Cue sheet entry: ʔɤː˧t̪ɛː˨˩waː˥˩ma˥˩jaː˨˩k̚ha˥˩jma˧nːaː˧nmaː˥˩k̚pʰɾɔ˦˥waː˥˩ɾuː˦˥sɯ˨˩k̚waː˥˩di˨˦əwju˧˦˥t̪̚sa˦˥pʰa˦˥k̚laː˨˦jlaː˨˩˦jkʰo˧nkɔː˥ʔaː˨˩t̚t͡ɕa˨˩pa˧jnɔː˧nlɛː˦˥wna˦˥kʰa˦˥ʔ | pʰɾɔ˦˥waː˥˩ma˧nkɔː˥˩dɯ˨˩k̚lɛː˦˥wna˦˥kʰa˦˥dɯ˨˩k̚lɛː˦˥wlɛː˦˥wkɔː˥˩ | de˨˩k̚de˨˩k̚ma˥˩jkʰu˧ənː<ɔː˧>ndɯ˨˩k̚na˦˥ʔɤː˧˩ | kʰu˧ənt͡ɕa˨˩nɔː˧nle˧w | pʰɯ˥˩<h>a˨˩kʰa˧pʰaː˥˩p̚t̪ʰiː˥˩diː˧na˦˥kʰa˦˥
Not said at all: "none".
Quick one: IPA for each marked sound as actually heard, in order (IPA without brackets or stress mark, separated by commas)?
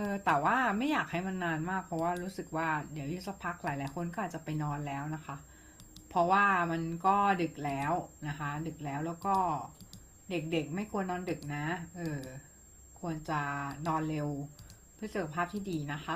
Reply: ɔː˧, s